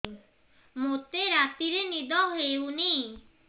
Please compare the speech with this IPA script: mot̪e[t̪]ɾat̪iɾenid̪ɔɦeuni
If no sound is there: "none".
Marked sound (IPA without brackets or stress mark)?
none